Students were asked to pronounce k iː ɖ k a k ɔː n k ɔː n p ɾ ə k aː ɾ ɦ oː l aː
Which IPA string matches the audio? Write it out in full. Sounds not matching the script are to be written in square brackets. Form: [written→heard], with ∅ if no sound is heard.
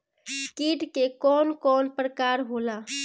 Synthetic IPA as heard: k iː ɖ k [a→e] k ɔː n k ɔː n p ɾ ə k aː ɾ ɦ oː l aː